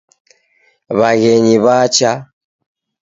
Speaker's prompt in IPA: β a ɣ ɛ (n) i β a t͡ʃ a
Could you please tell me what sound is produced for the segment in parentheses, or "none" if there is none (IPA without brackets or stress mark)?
ɲ